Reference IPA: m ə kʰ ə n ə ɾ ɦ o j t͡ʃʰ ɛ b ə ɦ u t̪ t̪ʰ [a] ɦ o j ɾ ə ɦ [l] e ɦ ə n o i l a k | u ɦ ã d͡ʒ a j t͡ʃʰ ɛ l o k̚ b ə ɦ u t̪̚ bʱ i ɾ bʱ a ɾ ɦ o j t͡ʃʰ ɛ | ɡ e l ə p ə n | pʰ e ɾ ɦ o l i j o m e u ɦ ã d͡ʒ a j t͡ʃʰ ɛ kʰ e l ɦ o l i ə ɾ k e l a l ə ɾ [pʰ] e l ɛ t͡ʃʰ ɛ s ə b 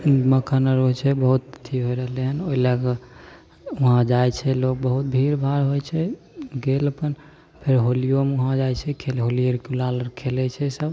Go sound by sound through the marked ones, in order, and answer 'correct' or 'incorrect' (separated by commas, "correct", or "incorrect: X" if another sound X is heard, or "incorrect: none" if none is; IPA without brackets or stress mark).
incorrect: i, correct, incorrect: kʰ